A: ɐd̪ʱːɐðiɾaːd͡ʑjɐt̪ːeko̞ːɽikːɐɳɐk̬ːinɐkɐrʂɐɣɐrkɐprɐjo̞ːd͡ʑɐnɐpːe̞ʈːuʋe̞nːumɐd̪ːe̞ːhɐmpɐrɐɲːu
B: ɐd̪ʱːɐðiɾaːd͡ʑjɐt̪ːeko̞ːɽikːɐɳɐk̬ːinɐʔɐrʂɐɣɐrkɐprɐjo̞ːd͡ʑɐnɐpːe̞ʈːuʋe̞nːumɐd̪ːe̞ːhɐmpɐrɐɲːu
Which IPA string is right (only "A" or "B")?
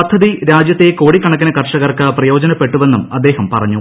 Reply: A